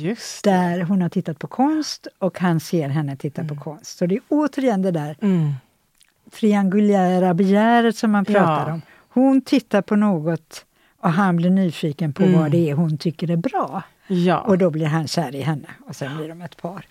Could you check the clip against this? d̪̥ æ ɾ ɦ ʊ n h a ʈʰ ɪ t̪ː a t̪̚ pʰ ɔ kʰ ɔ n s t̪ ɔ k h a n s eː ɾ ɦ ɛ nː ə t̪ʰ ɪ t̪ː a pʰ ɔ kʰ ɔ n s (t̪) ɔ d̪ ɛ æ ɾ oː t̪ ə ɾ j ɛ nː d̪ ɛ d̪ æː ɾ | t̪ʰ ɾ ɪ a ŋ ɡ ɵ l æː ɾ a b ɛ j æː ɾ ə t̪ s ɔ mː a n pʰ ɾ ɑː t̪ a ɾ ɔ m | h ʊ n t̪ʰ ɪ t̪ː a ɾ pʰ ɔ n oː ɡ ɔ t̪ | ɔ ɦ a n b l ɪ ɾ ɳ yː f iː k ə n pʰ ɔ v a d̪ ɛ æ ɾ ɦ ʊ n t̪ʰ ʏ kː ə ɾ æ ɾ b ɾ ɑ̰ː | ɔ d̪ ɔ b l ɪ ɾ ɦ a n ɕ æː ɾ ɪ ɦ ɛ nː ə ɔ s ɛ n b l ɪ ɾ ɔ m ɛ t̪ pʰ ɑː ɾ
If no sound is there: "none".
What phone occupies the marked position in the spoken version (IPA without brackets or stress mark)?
t̪